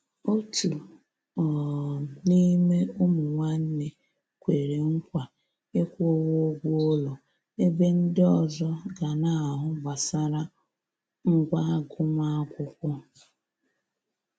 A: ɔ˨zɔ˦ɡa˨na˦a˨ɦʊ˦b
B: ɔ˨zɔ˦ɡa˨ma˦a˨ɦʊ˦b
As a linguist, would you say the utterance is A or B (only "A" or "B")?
A